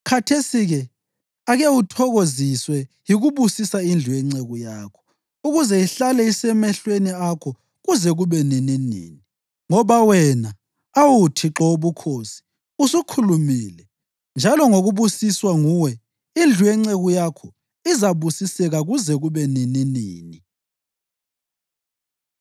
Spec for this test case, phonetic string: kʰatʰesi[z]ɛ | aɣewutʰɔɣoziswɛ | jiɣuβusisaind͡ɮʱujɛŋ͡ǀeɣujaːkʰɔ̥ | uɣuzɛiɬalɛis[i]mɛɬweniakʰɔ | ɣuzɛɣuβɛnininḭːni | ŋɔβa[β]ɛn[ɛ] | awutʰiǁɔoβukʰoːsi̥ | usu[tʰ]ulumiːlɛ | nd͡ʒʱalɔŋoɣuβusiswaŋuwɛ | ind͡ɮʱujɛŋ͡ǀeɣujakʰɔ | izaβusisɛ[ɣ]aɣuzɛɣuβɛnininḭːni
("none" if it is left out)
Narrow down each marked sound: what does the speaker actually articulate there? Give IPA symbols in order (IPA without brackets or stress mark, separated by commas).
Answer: ɣ, ɛ, w, a, kʰ, ɣ